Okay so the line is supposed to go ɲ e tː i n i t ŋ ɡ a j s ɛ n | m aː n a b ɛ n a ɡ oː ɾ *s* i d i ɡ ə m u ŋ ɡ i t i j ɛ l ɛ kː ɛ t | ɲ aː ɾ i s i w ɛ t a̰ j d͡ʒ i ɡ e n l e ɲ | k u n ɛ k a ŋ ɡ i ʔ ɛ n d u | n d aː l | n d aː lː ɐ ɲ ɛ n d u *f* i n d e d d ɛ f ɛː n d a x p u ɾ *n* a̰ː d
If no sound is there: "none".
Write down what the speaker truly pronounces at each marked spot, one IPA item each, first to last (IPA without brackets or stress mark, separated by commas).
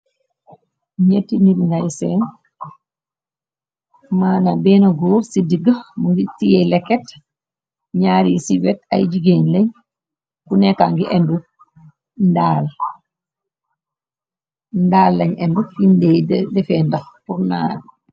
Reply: s, f, n